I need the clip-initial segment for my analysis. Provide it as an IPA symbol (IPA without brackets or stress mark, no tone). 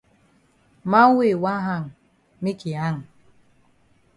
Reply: m